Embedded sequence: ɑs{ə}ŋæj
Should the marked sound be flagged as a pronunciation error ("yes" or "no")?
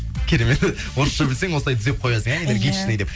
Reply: no